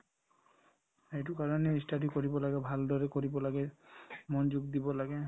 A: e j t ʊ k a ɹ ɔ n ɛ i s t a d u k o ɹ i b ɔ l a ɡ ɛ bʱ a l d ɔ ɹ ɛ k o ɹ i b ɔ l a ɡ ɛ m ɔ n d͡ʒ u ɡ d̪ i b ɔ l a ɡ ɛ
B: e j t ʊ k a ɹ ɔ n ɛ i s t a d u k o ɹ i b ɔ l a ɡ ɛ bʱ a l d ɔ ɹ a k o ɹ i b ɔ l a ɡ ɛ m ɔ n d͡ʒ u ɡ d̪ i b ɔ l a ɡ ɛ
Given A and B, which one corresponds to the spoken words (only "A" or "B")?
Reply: A